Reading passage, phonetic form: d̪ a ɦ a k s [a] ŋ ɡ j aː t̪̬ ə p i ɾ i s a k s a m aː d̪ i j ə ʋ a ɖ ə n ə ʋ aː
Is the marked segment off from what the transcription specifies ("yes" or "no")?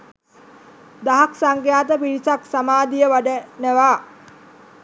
no